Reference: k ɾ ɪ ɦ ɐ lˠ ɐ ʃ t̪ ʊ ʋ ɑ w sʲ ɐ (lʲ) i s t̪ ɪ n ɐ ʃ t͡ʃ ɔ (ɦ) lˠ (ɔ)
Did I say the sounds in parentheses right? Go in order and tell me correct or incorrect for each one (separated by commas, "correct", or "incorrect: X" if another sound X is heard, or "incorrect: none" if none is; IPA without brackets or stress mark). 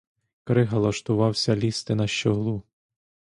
correct, correct, incorrect: u